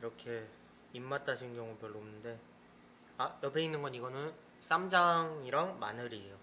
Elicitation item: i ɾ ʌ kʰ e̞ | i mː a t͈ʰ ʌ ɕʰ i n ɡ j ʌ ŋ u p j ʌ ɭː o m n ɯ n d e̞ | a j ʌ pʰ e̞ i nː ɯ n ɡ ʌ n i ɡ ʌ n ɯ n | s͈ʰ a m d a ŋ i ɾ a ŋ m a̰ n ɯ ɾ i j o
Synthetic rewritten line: i ɾ ʌ kʰ e̞ | i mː a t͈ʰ a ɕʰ i n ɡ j ʌ ŋ u p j ʌ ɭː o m n ɯ n d e̞ | a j ʌ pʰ e̞ i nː ɯ n ɡ ʌ n i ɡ ʌ n ɯ n | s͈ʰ a m d͡ʑ a ŋ i ɾ a ŋ m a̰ n ɯ ɾ i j o